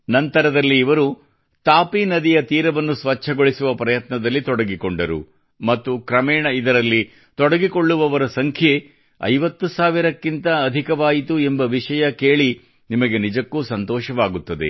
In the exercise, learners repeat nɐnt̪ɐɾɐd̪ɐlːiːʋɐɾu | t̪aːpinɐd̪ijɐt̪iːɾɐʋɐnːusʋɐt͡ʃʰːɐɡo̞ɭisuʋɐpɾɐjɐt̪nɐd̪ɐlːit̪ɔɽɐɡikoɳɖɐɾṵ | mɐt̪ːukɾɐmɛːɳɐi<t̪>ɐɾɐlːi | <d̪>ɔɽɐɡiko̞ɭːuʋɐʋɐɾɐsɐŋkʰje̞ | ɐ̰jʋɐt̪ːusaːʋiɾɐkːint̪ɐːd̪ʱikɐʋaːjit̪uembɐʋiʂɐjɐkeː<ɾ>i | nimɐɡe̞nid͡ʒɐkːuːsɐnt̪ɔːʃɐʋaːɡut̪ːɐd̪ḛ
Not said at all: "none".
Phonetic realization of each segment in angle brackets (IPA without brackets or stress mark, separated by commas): d̪, t̪, ɭ